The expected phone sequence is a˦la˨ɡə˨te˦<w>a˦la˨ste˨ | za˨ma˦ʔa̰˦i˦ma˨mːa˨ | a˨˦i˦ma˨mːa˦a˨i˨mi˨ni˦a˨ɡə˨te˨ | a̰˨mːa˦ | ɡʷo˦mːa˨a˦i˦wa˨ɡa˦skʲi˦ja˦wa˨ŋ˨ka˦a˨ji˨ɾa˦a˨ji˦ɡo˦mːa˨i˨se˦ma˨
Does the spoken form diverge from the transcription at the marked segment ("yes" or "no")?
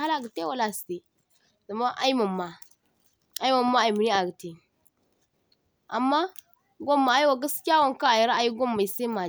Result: no